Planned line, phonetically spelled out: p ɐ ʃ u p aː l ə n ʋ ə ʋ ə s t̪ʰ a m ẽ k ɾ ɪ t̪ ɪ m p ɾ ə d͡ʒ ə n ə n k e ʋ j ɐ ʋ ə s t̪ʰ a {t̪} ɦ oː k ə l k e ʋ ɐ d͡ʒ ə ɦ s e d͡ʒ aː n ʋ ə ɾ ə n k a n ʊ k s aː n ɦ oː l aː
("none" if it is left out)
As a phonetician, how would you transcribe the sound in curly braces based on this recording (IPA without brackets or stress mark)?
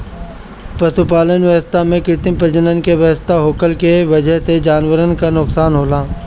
none